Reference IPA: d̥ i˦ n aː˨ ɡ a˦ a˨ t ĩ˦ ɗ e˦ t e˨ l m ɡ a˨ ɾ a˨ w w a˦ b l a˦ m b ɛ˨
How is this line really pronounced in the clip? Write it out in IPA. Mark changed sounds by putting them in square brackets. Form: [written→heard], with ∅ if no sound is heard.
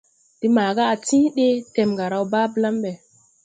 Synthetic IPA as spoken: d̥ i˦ [n→m] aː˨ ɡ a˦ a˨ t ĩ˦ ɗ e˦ t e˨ [l→∅] m ɡ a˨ ɾ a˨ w [w→b] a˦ b l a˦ m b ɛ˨